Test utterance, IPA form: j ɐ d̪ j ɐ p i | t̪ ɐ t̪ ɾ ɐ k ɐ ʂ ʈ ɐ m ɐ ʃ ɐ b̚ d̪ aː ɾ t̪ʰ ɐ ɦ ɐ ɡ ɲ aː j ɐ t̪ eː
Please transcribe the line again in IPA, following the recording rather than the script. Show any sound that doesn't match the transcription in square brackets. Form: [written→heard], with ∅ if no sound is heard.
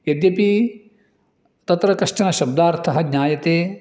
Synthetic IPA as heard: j ɐ d̪ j ɐ p i | t̪ ɐ t̪ ɾ ɐ k ɐ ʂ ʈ ɐ [m→n] ɐ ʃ ɐ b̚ d̪ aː ɾ t̪ʰ ɐ ɦ ɐ ɡ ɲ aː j ɐ t̪ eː